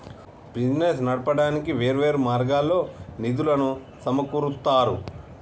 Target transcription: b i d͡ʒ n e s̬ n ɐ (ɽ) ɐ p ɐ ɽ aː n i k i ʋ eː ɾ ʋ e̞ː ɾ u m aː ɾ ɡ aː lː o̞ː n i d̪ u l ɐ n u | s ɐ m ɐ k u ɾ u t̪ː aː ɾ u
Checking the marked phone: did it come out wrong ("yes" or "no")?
no